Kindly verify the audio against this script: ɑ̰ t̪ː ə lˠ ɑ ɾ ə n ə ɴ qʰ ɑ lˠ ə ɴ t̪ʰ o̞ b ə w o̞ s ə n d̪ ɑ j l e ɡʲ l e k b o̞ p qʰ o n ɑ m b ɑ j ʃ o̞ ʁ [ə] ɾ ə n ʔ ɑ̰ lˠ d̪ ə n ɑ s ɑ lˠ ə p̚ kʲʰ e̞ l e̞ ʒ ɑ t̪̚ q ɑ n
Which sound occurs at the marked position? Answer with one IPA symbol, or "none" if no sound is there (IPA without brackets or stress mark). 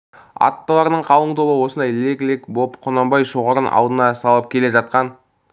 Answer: ɑ